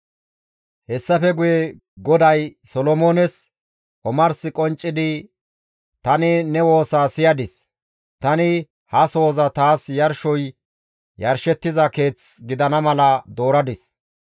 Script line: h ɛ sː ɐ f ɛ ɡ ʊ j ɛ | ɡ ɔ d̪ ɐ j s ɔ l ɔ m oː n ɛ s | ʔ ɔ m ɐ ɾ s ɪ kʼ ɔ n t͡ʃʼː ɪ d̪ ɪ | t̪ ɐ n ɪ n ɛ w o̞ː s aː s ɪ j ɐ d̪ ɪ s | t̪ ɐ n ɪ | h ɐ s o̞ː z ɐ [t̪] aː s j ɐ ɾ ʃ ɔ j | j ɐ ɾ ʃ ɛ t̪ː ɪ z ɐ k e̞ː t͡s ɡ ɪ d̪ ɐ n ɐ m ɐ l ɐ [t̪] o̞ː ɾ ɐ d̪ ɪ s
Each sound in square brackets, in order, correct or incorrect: correct, incorrect

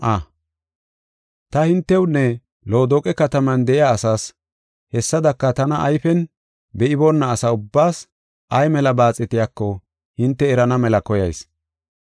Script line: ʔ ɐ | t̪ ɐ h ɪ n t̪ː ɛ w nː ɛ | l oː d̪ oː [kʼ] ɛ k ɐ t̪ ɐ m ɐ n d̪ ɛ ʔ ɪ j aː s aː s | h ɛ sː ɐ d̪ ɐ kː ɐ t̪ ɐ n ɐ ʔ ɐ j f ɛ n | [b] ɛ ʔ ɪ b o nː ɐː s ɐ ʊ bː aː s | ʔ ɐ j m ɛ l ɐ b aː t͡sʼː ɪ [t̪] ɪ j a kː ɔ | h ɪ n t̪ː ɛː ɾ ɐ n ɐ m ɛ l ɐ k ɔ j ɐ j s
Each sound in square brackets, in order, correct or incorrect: correct, correct, correct

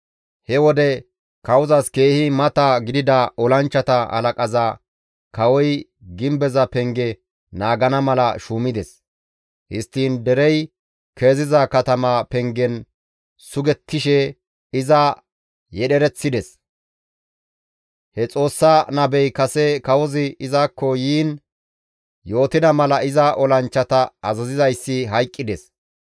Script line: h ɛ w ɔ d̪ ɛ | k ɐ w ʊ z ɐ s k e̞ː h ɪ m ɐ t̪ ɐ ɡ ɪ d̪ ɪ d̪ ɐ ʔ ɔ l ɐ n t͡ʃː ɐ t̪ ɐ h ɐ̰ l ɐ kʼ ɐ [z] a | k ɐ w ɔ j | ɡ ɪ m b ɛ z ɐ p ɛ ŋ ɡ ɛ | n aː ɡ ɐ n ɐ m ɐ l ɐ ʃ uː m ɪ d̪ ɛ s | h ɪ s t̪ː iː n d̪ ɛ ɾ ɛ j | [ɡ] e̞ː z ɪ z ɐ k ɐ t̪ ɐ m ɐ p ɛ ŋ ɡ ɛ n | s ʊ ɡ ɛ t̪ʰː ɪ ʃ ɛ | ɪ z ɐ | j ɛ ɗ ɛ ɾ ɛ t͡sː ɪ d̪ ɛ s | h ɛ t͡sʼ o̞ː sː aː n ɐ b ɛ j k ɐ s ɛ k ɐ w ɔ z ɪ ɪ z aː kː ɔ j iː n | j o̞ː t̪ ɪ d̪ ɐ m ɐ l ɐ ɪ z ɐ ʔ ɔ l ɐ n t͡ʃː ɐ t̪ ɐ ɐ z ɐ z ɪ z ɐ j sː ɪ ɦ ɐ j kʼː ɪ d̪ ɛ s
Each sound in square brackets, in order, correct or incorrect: correct, incorrect

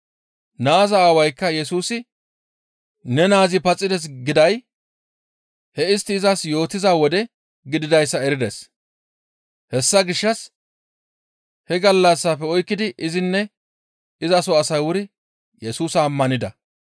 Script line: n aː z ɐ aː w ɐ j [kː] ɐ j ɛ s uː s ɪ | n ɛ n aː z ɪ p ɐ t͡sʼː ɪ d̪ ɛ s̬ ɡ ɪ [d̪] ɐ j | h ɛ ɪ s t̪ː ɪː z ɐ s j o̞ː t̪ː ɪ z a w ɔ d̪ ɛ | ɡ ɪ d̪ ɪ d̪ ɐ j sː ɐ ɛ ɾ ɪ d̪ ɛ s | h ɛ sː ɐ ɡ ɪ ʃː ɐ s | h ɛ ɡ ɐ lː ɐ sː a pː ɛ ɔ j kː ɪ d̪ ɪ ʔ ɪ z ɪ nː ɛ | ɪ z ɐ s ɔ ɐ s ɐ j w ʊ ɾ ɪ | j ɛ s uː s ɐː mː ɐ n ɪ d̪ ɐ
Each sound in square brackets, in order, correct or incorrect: correct, correct

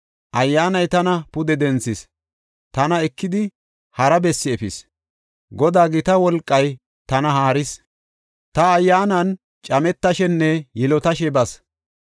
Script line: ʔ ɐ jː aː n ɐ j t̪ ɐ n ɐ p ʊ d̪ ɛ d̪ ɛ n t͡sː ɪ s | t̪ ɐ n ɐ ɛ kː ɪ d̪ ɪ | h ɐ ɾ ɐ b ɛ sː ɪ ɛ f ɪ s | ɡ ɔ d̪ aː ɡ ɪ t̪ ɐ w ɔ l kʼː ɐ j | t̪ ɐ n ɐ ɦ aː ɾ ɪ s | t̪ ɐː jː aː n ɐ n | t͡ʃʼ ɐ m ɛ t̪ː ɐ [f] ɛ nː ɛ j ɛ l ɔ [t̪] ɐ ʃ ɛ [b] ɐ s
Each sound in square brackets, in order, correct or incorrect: incorrect, correct, correct

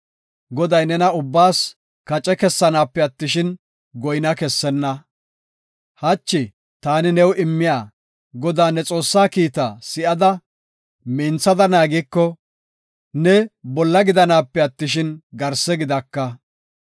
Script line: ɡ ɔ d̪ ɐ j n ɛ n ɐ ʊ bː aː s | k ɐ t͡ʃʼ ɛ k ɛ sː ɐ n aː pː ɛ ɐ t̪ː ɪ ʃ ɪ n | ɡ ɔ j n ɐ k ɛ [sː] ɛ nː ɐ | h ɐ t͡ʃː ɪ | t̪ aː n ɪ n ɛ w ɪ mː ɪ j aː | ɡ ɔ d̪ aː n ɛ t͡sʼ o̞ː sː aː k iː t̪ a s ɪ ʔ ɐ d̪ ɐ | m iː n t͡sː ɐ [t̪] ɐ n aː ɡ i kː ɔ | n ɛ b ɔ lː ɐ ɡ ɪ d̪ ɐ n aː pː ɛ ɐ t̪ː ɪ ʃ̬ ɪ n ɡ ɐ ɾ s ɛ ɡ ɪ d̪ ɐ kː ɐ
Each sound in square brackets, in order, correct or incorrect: correct, incorrect

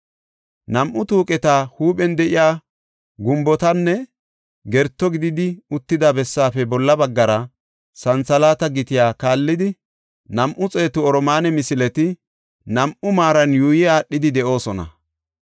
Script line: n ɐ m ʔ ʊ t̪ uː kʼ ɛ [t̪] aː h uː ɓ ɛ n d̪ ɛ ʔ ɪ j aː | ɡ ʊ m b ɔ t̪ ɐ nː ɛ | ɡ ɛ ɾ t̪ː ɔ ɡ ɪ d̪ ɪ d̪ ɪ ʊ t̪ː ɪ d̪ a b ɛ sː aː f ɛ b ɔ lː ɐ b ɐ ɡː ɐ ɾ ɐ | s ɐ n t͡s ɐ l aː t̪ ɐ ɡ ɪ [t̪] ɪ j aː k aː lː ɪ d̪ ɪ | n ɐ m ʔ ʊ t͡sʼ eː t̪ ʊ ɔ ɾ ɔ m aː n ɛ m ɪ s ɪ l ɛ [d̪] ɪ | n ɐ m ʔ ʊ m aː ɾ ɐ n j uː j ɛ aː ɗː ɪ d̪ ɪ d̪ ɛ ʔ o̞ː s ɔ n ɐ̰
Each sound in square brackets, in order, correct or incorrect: correct, correct, incorrect

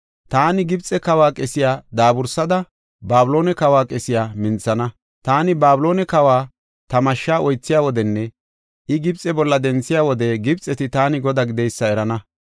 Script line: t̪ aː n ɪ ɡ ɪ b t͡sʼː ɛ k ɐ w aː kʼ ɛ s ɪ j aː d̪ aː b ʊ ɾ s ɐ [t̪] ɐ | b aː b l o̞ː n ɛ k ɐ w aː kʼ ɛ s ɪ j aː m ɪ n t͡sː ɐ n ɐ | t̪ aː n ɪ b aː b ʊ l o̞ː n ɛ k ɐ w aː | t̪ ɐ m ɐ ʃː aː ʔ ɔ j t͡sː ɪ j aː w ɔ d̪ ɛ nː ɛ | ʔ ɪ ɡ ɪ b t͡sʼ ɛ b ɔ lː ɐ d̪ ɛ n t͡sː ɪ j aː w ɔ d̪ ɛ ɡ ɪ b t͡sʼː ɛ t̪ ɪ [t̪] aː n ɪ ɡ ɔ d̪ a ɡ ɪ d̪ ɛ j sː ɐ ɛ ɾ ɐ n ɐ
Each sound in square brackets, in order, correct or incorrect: incorrect, correct

